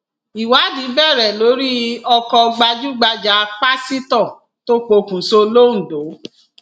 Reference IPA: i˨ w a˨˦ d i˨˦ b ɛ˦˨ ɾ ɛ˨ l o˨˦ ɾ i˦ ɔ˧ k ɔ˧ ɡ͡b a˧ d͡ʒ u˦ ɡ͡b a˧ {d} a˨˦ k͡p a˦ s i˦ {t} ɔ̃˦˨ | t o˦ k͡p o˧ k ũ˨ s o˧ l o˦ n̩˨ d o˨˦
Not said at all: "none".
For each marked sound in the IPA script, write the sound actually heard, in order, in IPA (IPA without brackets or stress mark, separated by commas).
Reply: d͡ʒ, t